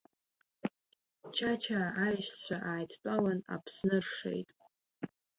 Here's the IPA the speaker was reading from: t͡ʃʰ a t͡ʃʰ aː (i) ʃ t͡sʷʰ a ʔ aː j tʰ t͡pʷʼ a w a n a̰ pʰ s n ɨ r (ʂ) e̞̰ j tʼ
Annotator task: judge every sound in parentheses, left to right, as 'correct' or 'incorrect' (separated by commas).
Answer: incorrect, correct